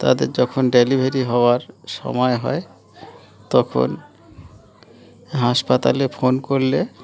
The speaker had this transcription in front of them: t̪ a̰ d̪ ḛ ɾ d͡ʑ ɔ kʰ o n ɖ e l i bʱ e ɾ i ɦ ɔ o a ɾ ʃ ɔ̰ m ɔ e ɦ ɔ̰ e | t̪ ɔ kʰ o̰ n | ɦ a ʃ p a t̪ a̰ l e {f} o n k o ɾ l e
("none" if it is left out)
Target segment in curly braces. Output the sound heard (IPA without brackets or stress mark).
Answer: f